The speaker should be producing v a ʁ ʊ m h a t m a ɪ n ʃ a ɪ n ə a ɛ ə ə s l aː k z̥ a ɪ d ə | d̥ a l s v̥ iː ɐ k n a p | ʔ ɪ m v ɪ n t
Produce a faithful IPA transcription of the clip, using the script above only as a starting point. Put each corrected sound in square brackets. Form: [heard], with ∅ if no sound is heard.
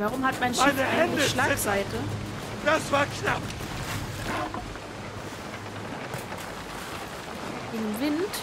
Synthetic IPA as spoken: v a ʁ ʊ m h a t m a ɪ n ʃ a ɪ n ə a ɛ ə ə [ʃ] l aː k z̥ a ɪ [t] ə | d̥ a [∅] s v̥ [aː] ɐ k n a p | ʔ ɪ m v ɪ n t